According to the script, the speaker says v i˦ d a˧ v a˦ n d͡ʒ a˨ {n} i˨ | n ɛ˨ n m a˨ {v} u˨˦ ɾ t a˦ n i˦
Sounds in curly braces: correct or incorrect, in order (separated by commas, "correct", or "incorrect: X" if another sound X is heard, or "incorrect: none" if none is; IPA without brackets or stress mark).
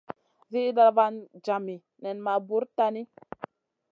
incorrect: m, incorrect: b